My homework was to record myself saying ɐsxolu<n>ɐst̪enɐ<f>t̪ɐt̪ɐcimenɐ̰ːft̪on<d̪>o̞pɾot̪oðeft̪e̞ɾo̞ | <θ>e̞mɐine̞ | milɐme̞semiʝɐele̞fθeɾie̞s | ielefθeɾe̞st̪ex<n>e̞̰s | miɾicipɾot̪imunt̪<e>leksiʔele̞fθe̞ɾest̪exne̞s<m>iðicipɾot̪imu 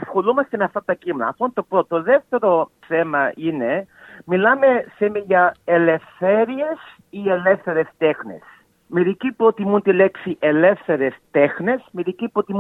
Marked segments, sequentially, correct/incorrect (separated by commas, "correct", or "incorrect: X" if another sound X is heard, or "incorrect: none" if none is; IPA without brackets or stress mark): incorrect: m, correct, incorrect: t̪, correct, correct, incorrect: i, correct